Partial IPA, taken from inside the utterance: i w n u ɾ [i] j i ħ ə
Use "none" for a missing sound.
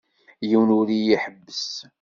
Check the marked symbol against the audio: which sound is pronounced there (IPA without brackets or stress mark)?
i